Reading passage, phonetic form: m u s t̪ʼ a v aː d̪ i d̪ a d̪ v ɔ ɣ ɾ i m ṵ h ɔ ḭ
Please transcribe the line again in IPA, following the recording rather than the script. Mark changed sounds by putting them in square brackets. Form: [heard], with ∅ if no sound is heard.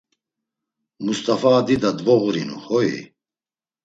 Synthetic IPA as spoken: m u s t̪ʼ a [f] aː d̪ i d̪ a d̪ v ɔ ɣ ɾ i [n] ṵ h ɔ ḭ